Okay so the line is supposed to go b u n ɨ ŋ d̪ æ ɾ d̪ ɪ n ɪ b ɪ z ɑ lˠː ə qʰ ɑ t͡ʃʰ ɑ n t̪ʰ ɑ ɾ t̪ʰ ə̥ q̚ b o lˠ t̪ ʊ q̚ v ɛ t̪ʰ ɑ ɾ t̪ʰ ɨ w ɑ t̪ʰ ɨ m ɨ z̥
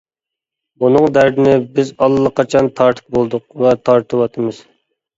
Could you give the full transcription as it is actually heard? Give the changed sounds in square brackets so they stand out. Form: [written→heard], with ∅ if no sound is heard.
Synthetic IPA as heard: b u n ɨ ŋ d̪ æ ɾ d̪ ɪ n ɪ b ɪ z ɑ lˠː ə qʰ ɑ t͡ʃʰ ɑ n t̪ʰ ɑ ɾ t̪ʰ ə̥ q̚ b o lˠ [t̪→d̪] ʊ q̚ v ɛ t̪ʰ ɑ ɾ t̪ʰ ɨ w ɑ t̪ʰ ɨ m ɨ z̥